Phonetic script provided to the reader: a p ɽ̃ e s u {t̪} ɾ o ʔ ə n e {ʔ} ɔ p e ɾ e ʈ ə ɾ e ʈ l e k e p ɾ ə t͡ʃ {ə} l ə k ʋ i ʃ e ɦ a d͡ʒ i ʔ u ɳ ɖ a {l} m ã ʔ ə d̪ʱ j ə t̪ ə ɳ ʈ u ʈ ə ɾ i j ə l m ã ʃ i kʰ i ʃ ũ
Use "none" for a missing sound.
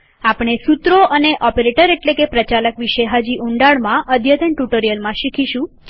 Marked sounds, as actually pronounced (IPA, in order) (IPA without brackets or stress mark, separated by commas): t̪, ʔ, a, ɭ